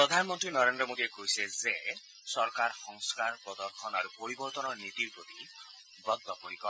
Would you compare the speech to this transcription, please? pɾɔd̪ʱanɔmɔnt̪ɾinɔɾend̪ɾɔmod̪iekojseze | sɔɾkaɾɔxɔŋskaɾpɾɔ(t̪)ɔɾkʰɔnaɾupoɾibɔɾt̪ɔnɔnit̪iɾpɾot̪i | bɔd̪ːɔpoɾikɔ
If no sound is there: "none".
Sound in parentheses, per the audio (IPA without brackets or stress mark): d̪